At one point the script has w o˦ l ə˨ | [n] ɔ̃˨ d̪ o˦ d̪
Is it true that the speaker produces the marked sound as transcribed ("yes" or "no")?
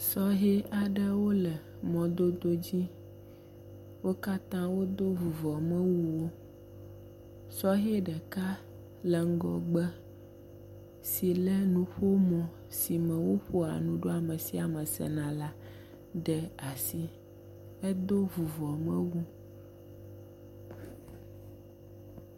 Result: no